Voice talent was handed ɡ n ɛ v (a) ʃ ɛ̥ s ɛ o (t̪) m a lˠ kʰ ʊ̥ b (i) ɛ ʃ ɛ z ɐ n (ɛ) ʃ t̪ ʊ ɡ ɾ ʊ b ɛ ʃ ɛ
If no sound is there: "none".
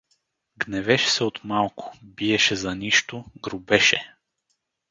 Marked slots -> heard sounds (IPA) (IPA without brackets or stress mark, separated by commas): ɛ, t̪, i, i